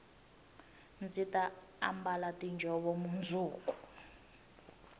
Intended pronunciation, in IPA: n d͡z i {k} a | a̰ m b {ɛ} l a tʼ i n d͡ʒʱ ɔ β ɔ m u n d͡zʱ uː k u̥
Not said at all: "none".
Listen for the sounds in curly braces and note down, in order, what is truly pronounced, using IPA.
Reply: t, a

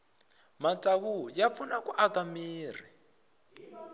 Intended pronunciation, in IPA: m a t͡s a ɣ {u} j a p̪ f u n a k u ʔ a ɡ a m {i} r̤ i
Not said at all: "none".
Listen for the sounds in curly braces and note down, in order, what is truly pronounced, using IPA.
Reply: u, iː

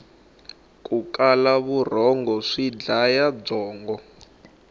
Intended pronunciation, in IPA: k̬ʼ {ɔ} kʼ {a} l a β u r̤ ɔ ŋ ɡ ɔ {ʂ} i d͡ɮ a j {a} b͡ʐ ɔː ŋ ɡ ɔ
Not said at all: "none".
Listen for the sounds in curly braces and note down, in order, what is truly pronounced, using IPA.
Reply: u, a, ʂ, a

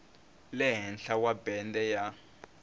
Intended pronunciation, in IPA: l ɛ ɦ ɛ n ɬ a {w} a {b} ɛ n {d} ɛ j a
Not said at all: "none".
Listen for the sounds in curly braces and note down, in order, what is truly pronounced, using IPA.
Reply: w, b, d

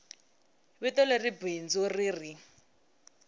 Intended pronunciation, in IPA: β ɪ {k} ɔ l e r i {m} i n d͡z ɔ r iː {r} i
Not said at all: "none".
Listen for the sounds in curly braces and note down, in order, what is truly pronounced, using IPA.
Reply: t, b, r

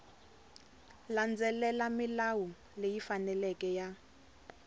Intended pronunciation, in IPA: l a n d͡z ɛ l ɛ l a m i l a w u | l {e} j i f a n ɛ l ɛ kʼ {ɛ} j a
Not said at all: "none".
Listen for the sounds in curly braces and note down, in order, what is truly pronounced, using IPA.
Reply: e, ɛ

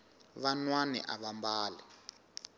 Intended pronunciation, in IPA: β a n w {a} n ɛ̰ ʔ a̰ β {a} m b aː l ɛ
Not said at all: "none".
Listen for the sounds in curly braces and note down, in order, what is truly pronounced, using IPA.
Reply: a, a

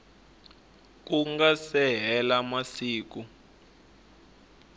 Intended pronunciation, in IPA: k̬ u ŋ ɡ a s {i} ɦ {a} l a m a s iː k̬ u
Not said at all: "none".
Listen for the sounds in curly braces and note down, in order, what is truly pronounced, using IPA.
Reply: ɛ, ɛ

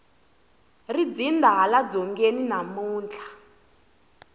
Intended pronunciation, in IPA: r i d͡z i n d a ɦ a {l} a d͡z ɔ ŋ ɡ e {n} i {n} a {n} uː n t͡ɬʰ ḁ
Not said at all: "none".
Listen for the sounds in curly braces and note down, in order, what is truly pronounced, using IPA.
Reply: l, n, n, m

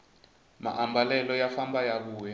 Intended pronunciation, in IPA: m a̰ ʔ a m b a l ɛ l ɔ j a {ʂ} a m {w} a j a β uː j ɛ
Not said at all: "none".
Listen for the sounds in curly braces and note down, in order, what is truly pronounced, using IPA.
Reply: f, b

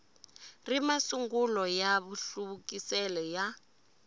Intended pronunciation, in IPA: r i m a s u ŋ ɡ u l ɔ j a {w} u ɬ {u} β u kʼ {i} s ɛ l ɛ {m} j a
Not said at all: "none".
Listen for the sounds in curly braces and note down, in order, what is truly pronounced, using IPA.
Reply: β, u, i, none

